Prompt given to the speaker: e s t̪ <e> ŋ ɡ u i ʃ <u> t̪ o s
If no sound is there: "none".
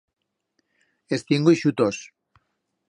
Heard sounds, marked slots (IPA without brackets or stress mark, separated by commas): i, u